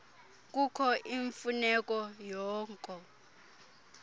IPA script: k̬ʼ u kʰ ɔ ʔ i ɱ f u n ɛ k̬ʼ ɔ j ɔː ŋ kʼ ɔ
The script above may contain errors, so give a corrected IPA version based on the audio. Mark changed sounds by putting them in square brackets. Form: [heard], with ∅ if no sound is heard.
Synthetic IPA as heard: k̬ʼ u kʰ ɔ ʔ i ɱ f u n ɛ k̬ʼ ɔ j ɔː ŋ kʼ ɔ